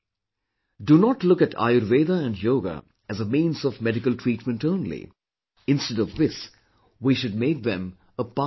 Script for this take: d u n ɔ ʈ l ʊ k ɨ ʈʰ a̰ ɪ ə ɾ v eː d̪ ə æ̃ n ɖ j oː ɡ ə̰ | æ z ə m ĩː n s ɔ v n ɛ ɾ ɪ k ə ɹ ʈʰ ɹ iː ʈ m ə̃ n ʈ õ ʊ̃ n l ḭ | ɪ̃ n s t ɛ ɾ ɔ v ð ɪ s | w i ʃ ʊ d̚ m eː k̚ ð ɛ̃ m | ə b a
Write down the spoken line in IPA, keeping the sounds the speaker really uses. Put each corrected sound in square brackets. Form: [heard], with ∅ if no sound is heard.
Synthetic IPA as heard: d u n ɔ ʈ l ʊ k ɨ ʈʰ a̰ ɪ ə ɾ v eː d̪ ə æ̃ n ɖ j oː ɡ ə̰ | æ z ə m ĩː n s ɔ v [m] ɛ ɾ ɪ k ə [l] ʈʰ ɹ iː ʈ m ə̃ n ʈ õ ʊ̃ n l ḭ | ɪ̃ n s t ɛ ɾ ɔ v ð ɪ s | w i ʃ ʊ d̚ m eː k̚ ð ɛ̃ m | ə [p] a